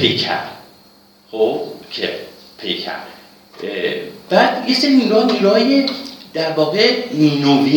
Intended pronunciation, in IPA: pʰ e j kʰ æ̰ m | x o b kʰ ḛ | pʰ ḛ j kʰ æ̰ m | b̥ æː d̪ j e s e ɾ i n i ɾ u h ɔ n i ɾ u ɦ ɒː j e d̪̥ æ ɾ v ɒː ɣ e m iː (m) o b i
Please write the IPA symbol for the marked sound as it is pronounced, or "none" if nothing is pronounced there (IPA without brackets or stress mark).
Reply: n